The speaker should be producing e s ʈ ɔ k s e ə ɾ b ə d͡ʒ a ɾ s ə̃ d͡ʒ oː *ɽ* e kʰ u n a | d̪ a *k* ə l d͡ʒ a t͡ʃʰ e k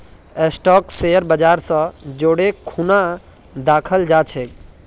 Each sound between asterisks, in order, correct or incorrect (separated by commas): correct, incorrect